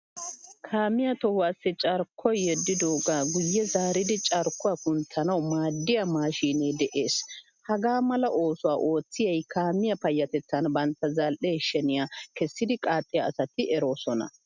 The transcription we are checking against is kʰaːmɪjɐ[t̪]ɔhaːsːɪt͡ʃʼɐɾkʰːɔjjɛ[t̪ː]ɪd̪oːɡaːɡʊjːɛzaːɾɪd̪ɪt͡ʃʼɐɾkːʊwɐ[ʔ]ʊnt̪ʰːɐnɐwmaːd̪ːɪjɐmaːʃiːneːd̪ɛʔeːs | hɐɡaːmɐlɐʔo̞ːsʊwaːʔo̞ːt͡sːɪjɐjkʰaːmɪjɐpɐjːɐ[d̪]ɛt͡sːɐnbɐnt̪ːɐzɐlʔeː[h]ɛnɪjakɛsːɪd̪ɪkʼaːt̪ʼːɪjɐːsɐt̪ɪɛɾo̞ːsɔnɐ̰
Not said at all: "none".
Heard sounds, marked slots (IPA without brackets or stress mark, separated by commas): t̪, d̪ː, k, t̪, ʃ